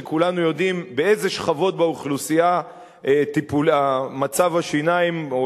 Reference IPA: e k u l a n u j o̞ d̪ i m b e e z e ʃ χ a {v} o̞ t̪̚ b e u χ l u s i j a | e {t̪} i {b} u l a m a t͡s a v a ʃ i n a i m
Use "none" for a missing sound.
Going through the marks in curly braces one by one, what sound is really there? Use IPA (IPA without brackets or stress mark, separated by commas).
v, t̪, p